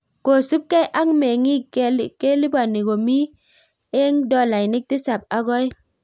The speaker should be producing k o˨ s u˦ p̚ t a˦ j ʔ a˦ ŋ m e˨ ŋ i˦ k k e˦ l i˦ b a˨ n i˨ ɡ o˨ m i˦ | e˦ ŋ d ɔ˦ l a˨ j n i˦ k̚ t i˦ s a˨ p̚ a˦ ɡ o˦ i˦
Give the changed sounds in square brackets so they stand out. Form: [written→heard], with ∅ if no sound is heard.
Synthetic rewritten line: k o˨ s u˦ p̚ [t→k] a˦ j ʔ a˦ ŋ m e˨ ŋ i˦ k k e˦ l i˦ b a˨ n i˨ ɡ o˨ m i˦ | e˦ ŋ d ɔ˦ l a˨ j n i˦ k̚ t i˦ s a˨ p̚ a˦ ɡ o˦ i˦